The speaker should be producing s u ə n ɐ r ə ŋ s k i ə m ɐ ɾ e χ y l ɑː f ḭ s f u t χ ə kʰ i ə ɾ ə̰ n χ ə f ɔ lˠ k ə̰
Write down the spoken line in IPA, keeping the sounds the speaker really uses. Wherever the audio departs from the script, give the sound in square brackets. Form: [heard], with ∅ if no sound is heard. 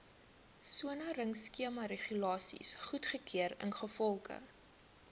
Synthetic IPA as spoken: s u ə n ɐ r ə ŋ s k i ə m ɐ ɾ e χ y l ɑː [s] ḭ s [χ] u t χ ə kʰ i ə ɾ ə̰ n χ ə f ɔ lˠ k ə̰

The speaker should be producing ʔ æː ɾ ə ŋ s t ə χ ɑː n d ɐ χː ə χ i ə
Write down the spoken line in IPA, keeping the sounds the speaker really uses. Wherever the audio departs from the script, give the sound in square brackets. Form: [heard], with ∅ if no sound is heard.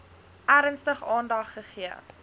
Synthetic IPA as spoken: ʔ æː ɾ ə [n] s t ə χ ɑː n d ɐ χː ə χ i ə

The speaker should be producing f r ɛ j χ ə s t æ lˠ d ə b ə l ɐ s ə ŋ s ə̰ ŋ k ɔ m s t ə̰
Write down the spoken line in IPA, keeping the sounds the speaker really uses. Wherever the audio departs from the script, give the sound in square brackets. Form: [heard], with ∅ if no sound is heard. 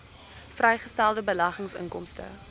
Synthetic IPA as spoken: f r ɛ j χ ə s t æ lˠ d ə b ə l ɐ [χ] ə ŋ s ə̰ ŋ k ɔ m s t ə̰

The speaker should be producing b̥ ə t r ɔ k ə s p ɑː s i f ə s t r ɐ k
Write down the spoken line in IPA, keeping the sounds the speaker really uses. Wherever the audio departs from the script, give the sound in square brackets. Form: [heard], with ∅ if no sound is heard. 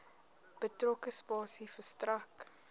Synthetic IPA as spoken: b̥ ə t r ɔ k ə s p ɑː s i f ə s t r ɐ k

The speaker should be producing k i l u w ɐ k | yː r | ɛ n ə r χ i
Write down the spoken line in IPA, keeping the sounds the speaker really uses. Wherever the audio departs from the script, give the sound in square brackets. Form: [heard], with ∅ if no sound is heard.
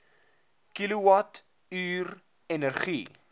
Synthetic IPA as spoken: k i l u w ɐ [t] | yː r | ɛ n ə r χ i

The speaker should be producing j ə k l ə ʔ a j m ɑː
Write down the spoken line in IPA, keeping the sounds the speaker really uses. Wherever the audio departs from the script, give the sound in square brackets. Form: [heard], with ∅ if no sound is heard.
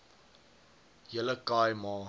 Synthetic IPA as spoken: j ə [∅] l ə [k] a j m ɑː

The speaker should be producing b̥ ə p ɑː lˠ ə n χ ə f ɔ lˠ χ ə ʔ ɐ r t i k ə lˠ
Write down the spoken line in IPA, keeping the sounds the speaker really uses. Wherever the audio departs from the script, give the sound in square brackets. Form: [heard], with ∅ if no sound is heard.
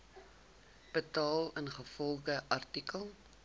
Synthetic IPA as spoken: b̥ ə [t] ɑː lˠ ə n χ ə f ɔ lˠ χ ə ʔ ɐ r t i k ə lˠ

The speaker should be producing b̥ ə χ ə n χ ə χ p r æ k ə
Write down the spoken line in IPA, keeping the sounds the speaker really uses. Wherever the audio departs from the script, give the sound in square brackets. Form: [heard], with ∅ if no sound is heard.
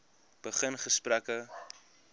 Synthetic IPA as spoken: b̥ ə χ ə n χ ə [s] p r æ k ə

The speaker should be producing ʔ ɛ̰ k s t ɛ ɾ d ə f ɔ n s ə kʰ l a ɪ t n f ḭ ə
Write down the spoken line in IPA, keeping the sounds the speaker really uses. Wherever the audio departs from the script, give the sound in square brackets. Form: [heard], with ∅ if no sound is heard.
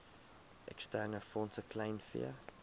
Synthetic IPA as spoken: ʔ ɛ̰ k s t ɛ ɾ [n] ə f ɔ n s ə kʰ l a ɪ [∅] n f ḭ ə

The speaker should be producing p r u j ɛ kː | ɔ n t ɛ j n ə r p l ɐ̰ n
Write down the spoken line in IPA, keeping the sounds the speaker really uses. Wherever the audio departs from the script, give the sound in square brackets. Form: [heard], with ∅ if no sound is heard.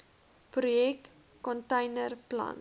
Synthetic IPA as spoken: p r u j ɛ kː | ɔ n t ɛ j n ə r p l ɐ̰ n

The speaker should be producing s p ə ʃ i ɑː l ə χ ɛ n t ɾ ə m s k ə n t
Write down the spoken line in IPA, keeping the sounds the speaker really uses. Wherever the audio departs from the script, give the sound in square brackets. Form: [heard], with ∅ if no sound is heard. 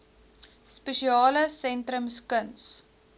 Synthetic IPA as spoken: s p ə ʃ i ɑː l ə [s] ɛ n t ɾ ə m s k ə n [s]

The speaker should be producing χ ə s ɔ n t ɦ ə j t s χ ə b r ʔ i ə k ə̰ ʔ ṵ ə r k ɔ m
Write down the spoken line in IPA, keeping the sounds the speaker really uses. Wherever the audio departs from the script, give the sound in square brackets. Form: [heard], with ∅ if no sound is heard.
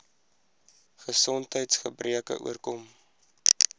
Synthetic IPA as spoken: χ ə s ɔ n t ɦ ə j t s χ ə b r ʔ i ə k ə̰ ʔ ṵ ə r k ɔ m

